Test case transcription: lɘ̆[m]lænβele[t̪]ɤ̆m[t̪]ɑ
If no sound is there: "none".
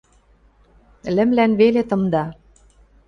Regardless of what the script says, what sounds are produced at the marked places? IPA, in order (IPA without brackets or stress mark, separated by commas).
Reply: m, t̪, d̪